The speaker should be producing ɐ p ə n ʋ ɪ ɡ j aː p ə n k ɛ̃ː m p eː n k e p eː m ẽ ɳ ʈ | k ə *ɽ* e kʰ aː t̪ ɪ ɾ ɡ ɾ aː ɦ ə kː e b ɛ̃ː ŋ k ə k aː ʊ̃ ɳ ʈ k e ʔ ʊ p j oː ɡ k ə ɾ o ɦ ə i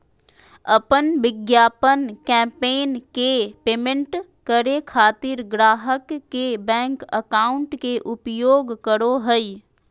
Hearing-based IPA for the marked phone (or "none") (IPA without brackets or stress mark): ɾ